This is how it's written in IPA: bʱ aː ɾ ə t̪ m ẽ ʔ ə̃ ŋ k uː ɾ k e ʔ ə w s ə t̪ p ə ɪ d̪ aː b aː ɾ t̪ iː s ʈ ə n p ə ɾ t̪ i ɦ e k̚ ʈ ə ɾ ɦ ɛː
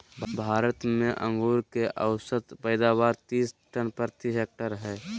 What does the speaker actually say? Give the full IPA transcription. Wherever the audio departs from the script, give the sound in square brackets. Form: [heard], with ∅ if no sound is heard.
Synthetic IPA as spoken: bʱ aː ɾ ə t̪ m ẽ ʔ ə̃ ŋ [ɡ] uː ɾ k e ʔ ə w s ə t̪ p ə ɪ d̪ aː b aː ɾ t̪ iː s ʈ ə n p ə ɾ t̪ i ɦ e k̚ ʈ ə ɾ ɦ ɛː